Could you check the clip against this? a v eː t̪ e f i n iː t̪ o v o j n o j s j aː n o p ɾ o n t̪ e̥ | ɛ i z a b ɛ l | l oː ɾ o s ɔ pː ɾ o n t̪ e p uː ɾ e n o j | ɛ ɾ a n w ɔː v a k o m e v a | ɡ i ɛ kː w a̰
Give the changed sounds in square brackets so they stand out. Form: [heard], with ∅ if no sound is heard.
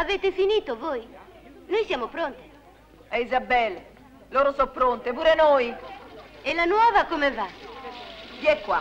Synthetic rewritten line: a v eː t̪ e f i n iː t̪ o v o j n o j s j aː [m] o p ɾ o n t̪ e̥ | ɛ i z a b ɛ l | l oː ɾ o s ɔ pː ɾ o n t̪ e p uː ɾ e n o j | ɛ [l] a n w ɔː v a k o m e v a | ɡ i ɛ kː w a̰

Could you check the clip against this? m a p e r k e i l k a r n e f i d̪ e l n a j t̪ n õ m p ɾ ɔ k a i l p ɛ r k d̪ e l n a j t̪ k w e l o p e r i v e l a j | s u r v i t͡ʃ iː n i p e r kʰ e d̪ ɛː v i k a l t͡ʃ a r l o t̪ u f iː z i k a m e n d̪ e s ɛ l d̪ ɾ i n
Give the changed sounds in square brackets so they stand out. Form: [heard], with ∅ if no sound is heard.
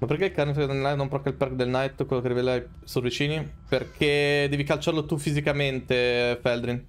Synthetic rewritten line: m a p e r k e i l k a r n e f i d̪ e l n a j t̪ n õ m p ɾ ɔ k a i l p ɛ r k d̪ e l n a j t̪ k w e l o [k] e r i v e l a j | s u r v i t͡ʃ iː n i p e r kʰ e d̪ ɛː v i k a l t͡ʃ a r l o t̪ u f [i] z i k a m e n [t̪] e [f] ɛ l d̪ ɾ i n

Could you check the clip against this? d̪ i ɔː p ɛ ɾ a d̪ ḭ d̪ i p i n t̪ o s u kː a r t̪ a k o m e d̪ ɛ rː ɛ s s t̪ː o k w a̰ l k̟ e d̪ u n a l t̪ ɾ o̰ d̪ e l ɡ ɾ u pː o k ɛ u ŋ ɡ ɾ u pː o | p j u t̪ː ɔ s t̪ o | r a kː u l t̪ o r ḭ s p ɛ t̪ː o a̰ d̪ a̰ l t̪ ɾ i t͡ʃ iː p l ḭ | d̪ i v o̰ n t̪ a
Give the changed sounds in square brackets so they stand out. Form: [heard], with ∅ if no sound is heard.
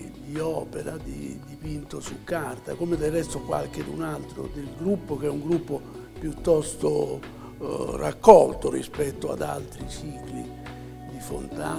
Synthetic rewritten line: d̪ i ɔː p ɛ ɾ a d̪ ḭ d̪ i p i n t̪ o s u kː a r t̪ a k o m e d̪ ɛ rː ɛ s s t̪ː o k w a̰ l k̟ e d̪ u n a l t̪ ɾ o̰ d̪ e l ɡ ɾ u pː o k ɛ u ŋ ɡ ɾ u pː o | p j u t̪ː ɔ s t̪ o | r a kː [ɔ] l t̪ o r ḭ s p ɛ t̪ː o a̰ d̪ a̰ l t̪ ɾ i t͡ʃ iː [k] l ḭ | d̪ i [f] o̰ n t̪ a

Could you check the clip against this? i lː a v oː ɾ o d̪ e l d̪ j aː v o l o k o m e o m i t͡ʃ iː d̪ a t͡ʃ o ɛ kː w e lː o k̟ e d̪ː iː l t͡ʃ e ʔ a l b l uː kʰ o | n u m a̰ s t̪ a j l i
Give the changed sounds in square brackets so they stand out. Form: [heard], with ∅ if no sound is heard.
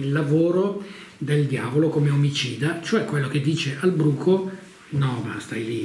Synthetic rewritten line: i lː a v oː ɾ o d̪ e l d̪ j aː v o l o k o m e o m i t͡ʃ iː d̪ a t͡ʃ o ɛ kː w e lː o k̟ e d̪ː iː [∅] t͡ʃ e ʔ a l b [ɾ] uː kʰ o | n [ɔ] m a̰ s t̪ a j l i

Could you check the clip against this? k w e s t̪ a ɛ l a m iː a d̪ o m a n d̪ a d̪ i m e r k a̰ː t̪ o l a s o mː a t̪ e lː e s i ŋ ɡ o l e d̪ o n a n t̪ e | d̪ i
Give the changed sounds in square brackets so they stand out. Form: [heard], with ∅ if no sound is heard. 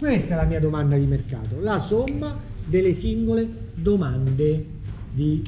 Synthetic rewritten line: k w e s t̪ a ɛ l a m iː a d̪ o m a n d̪ a d̪ i m e r k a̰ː t̪ o l a s o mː a [d̪] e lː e s i ŋ ɡ o l e d̪ o [m] a n [d̪] e | d̪ i

